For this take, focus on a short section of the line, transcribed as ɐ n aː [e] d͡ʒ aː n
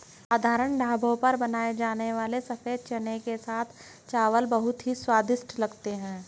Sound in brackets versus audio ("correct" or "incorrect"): correct